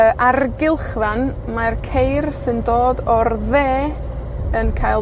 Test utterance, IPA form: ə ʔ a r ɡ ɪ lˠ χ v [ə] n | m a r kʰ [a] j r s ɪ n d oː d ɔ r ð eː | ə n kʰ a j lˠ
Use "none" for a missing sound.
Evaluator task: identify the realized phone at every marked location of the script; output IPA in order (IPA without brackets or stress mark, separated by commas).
a, e